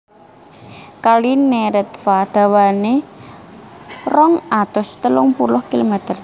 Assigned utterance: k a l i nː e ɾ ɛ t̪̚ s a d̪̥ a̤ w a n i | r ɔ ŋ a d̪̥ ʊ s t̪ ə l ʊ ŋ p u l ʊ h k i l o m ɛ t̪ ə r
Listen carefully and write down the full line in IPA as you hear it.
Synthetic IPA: k a l i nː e ɾ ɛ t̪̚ f a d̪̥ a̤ w a n e | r ɔ ŋ a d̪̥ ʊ s t̪ ə l ʊ ŋ p u l ʊ h k i l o m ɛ t̪ ə r